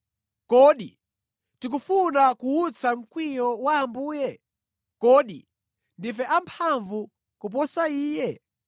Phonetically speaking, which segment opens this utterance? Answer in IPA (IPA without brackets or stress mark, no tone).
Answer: k